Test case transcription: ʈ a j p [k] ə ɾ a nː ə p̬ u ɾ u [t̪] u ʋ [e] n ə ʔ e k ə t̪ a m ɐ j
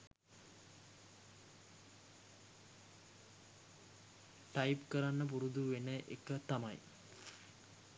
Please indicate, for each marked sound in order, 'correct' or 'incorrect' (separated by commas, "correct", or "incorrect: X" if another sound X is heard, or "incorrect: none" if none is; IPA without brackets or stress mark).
correct, incorrect: d̪, correct